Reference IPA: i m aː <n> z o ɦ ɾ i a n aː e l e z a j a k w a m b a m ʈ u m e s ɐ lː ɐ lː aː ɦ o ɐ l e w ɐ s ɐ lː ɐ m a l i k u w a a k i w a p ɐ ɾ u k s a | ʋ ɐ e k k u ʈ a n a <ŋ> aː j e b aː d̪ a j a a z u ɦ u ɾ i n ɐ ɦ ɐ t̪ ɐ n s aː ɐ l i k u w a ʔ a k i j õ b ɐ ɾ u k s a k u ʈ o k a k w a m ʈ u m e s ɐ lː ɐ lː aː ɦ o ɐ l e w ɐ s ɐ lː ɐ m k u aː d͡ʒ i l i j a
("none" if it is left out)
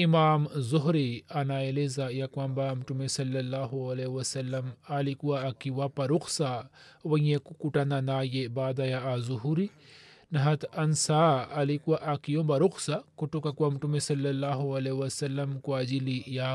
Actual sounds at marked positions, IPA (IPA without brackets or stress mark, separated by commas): m, n